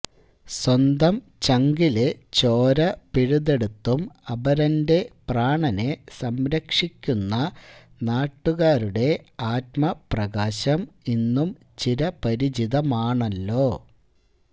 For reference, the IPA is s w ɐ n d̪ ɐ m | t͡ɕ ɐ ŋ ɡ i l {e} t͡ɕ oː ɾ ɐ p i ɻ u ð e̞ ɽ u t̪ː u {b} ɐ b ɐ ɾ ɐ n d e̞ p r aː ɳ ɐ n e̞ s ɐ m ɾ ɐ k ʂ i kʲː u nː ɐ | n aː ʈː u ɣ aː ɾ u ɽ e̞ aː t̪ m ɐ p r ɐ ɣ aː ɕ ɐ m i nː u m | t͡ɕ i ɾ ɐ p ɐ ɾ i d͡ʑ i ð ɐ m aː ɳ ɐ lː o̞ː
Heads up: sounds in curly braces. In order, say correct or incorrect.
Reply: correct, incorrect

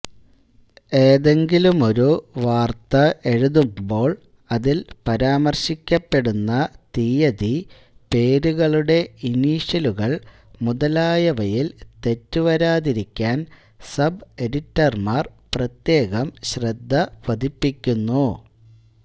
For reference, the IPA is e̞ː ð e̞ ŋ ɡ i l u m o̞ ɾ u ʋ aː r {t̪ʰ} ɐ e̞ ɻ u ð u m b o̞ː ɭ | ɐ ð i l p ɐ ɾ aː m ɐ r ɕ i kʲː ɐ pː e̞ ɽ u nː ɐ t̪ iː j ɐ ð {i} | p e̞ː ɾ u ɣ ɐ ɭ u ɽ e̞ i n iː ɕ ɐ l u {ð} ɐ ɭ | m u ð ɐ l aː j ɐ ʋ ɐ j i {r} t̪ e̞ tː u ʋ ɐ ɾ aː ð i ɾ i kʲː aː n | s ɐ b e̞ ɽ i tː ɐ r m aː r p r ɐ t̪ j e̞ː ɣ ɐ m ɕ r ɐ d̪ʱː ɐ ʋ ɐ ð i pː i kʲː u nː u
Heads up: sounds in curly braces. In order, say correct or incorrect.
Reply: incorrect, correct, incorrect, incorrect

